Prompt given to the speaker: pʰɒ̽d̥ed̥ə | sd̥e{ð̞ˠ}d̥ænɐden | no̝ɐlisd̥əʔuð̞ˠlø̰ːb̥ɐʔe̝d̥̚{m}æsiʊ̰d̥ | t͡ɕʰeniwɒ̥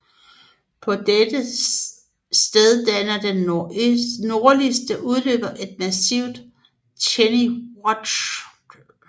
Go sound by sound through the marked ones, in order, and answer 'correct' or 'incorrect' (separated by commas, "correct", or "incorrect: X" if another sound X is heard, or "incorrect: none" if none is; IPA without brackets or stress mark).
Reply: correct, correct